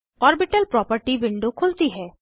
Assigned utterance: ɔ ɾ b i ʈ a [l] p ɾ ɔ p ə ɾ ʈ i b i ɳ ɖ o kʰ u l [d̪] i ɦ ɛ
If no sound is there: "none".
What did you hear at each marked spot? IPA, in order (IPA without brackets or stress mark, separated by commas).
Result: l, t̪